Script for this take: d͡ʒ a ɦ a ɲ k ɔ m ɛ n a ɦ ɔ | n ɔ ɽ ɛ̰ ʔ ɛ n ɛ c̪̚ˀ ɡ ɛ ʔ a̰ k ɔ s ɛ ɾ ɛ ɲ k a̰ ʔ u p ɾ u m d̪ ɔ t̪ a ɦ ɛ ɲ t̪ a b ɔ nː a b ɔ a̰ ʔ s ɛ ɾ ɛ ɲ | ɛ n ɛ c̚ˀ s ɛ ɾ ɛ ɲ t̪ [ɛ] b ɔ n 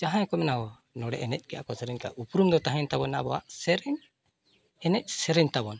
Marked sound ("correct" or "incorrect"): incorrect